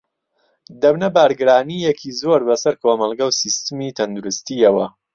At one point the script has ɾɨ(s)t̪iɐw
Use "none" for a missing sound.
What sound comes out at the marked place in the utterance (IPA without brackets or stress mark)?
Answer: s